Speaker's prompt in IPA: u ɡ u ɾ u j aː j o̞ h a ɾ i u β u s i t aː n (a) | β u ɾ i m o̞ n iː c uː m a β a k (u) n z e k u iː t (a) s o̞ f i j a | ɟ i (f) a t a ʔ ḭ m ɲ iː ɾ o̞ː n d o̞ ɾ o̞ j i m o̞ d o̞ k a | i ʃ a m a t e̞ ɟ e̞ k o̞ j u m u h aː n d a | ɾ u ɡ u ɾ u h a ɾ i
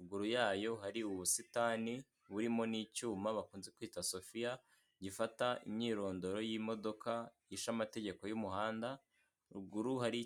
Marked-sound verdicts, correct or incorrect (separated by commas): incorrect, incorrect, correct, correct